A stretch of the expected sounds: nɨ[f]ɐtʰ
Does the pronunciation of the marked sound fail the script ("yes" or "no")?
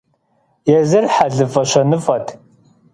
no